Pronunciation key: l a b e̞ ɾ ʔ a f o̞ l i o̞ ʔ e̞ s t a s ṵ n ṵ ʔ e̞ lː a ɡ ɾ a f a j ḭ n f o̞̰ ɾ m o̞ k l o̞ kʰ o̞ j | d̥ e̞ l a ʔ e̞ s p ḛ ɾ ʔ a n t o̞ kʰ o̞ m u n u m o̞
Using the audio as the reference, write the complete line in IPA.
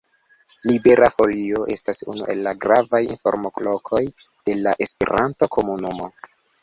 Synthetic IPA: l i b e̞ ɾ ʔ a f o̞ l i o̞ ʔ e̞ s t a s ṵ n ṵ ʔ e̞ lː a ɡ ɾ a v a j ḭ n f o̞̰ ɾ m o̞ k l o̞ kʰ o̞ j | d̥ e̞ l a ʔ e̞ s p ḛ ɾ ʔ a n t o̞ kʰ o̞ m u n u m o̞